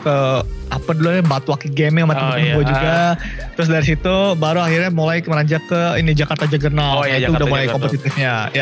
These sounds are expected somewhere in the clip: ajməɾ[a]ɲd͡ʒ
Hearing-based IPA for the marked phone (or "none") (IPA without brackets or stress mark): a